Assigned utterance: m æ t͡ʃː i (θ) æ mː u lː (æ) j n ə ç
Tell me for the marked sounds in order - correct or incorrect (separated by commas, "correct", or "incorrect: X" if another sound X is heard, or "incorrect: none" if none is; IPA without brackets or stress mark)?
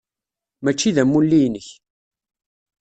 incorrect: ð, incorrect: i